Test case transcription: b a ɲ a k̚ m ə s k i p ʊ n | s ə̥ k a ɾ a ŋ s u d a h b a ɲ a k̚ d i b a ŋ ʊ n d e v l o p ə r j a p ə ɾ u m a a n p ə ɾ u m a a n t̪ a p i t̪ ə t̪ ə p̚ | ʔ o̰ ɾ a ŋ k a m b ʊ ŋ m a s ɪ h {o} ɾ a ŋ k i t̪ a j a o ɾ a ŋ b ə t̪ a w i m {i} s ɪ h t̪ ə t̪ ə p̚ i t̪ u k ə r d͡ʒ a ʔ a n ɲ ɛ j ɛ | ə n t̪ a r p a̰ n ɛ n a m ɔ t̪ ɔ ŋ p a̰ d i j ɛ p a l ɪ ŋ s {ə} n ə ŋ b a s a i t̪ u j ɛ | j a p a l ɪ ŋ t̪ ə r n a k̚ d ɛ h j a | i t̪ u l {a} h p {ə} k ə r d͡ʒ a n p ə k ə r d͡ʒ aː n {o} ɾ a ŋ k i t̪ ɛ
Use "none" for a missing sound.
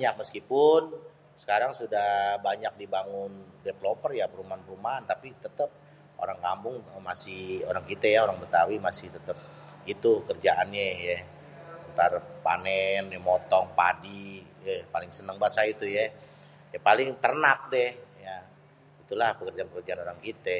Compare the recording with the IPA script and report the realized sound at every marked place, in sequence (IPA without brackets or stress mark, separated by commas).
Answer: o, a, ə, a, ə, o